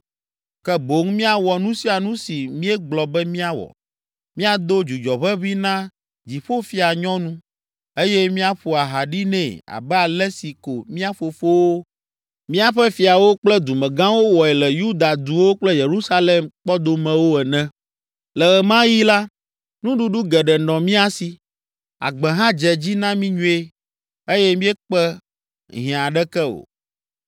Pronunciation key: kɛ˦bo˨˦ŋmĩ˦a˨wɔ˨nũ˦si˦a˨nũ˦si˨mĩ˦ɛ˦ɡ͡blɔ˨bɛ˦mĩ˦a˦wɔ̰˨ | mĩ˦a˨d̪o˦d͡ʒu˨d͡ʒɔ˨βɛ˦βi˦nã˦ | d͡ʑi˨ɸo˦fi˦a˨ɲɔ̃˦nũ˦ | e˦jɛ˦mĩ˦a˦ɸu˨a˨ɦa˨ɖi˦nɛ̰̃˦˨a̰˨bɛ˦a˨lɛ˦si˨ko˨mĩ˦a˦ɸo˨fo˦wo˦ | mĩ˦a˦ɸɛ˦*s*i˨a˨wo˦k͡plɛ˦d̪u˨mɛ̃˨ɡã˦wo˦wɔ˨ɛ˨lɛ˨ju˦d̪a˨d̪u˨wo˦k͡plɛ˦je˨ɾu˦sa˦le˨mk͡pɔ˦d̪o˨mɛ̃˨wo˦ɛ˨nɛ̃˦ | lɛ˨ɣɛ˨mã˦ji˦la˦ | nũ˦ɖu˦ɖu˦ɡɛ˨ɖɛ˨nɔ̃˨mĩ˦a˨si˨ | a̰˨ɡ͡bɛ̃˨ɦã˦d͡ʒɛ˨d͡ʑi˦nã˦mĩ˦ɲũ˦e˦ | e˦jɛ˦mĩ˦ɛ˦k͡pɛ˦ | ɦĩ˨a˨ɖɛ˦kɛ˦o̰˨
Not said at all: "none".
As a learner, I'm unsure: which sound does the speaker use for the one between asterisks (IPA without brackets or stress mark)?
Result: f